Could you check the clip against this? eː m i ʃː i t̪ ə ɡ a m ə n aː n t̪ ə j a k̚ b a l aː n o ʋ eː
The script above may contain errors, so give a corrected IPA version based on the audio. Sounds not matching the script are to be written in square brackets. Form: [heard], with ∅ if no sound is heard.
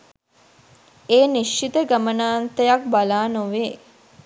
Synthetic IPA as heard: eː [n] i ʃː i t̪ ə ɡ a m ə n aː n t̪ ə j a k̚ b a l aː n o ʋ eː